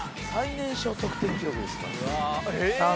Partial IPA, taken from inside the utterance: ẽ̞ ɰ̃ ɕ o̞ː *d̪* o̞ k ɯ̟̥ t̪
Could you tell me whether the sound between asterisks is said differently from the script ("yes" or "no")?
yes